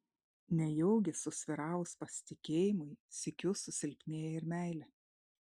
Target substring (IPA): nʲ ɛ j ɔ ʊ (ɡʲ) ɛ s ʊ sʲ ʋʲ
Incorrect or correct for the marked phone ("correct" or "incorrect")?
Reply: correct